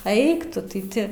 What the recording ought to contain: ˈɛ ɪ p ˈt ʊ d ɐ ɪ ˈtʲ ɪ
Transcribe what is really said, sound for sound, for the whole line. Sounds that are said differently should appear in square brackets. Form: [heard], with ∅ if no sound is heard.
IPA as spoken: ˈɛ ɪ [k] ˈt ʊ [t] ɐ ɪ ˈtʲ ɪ

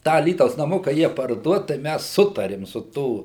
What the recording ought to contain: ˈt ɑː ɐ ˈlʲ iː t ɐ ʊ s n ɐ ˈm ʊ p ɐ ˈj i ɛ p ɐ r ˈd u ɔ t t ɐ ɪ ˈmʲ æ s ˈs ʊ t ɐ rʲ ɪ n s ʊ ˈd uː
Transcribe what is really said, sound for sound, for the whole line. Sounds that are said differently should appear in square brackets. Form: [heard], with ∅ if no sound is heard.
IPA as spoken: ˈt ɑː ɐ ˈlʲ iː t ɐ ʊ s n ɐ ˈm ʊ [k] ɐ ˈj i ɛ p ɐ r ˈd u ɔ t t ɐ ɪ ˈmʲ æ s ˈs ʊ t ɐ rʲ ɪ [m] s ʊ [ˈt] uː

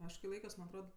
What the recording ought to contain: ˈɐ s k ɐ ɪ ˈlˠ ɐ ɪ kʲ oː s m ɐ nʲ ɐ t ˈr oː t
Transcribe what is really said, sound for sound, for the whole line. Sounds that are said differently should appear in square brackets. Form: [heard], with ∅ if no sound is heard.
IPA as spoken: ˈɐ [ʃ] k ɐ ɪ ˈlˠ ɐ ɪ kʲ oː s m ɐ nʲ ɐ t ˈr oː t

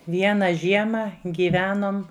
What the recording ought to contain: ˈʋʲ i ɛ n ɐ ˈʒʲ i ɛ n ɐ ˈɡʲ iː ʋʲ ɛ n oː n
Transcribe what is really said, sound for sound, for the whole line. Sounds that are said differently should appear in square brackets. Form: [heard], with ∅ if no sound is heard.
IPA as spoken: ˈʋʲ i ɛ n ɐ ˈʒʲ i ɛ [m] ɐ ˈɡʲ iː ʋʲ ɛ n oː [m]

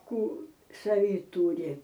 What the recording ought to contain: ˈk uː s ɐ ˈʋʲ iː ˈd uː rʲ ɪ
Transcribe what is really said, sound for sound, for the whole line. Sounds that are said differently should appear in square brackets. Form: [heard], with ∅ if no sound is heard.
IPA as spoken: ˈk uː s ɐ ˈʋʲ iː [ˈt] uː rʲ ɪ

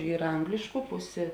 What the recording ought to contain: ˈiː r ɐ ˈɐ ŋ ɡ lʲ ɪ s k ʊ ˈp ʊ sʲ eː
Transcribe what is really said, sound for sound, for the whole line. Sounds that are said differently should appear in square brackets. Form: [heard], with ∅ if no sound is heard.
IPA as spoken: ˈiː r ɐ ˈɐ ŋ ɡ lʲ ɪ [ʃ] k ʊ ˈp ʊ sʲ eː

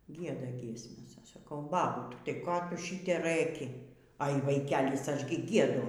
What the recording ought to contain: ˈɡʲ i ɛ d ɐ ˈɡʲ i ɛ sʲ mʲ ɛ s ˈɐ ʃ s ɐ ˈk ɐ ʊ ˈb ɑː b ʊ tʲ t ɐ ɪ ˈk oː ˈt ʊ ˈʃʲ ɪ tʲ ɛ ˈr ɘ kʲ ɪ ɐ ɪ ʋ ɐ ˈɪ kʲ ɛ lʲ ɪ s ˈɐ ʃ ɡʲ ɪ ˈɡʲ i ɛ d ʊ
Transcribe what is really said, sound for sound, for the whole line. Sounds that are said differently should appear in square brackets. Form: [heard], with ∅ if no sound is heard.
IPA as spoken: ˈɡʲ i ɛ d ɐ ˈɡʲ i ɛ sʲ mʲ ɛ s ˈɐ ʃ s ɐ ˈk ɐ ʊ ˈb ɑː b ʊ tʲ t ɐ ɪ ˈk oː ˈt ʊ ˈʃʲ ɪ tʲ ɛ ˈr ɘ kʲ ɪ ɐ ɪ ʋ ɐ ˈɪ kʲ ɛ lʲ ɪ s ˈɐ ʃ ɡʲ ɪ ˈɡʲ i ɛ d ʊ

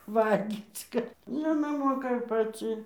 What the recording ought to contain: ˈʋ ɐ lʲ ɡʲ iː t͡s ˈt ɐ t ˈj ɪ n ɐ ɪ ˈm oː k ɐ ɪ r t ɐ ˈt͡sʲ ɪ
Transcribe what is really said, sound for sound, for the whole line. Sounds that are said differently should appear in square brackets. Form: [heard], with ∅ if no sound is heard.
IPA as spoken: ˈʋ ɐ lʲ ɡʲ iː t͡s [ˈk] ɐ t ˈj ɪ n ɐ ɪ ˈm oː k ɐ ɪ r [p] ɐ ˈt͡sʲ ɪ

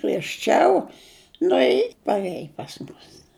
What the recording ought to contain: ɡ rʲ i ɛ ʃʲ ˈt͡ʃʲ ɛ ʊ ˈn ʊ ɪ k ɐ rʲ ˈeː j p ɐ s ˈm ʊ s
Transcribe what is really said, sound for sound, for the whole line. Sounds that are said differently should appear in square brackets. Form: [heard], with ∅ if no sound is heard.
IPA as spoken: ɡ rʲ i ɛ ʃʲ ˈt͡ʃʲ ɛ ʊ ˈn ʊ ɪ [p] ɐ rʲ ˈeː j p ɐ s ˈm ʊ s

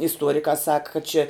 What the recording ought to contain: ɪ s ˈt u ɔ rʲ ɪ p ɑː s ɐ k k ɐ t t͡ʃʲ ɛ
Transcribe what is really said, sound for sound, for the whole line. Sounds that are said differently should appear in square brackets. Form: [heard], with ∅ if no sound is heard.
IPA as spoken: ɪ s ˈt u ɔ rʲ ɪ [k] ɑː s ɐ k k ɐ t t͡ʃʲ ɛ

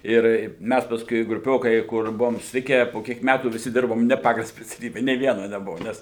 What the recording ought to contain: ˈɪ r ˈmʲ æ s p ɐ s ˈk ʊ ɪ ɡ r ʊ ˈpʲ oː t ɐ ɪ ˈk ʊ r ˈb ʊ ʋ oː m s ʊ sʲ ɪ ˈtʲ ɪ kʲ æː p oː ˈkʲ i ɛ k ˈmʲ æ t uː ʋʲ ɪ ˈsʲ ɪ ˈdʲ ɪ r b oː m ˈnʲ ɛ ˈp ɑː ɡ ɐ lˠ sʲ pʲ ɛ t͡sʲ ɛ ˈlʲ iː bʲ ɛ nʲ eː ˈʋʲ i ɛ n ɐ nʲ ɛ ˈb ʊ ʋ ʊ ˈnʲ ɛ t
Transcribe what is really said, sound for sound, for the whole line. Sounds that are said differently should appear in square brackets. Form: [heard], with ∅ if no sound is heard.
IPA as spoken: ˈɪ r ˈmʲ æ s p ɐ s ˈk ʊ ɪ ɡ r ʊ ˈpʲ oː [k] ɐ ɪ ˈk ʊ r ˈb ʊ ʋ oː m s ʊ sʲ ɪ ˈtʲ ɪ kʲ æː p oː ˈkʲ i ɛ k ˈmʲ æ t uː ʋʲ ɪ ˈsʲ ɪ ˈdʲ ɪ r b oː m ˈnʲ ɛ ˈp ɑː ɡ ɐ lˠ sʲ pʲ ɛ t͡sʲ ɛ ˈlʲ iː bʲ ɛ nʲ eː ˈʋʲ i ɛ n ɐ nʲ ɛ ˈb ʊ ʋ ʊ ˈnʲ ɛ [s]

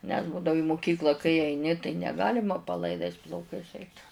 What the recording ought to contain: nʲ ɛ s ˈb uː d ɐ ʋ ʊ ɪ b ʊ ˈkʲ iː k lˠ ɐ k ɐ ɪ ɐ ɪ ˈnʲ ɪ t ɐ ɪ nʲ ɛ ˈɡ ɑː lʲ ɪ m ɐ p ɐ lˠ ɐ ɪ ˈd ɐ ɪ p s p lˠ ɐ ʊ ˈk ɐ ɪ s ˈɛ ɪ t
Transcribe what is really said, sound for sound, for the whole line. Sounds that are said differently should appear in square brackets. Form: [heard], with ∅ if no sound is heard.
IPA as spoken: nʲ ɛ s ˈb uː d ɐ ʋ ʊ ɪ [m] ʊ ˈkʲ iː k lˠ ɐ k ɐ ɪ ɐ ɪ ˈnʲ ɪ t ɐ ɪ nʲ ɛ ˈɡ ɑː lʲ ɪ m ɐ p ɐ lˠ ɐ ɪ ˈd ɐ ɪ [∅] s p lˠ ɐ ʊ ˈk ɐ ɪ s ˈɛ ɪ t

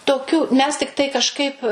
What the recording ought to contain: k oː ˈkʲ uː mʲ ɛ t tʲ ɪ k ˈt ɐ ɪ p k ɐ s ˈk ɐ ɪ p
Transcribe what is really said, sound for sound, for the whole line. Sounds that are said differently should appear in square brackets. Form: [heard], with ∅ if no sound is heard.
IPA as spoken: [t] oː ˈkʲ uː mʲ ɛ [s] tʲ ɪ k ˈt ɐ ɪ [∅] k ɐ [ʃ] ˈk ɐ ɪ p

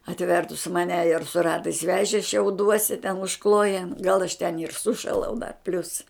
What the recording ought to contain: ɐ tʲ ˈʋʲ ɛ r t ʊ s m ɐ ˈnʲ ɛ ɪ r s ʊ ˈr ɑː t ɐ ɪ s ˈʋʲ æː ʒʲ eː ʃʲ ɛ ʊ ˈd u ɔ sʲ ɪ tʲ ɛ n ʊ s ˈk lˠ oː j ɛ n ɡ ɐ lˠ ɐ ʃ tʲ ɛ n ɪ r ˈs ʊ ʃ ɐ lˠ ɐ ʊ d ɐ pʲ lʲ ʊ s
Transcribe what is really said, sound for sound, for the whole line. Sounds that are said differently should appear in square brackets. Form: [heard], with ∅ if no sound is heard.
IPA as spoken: ɐ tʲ ˈʋʲ ɛ r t ʊ s m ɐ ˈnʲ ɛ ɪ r s ʊ ˈr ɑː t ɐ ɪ s ˈʋʲ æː ʒʲ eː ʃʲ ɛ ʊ ˈd u ɔ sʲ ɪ tʲ ɛ n ʊ [ʃ] ˈk lˠ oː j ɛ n ɡ ɐ lˠ ɐ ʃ tʲ ɛ n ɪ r ˈs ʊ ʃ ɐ lˠ ɐ ʊ d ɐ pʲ lʲ ʊ s

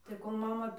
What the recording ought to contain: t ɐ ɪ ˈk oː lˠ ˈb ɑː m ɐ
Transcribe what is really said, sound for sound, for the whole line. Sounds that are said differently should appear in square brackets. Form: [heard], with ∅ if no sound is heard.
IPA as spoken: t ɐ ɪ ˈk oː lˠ [ˈm] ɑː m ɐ

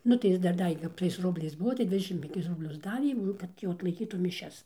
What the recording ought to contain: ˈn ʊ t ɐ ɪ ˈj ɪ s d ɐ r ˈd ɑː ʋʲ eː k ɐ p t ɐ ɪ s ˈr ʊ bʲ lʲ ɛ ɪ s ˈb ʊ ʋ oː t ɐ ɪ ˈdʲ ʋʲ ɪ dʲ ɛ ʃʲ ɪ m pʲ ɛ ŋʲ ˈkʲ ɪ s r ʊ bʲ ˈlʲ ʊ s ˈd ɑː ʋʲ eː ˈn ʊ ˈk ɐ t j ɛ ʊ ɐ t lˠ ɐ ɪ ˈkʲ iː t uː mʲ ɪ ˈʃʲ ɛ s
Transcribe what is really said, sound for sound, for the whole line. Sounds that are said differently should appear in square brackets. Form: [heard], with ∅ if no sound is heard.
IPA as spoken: ˈn ʊ t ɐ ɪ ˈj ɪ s d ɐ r ˈd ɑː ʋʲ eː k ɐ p t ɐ ɪ s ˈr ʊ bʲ lʲ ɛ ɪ s ˈb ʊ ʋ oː t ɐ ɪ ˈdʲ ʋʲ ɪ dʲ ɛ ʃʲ ɪ m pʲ ɛ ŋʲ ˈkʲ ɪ s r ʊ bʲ ˈlʲ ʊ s ˈd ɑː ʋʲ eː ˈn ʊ ˈk ɐ t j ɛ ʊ ɐ t lˠ ɐ ɪ ˈkʲ iː t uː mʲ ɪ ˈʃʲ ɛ s

